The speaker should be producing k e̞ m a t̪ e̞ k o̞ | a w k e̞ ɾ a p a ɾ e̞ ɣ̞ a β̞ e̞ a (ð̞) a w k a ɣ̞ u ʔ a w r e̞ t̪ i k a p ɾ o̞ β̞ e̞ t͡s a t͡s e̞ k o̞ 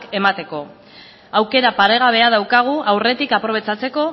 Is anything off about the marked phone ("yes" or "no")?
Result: no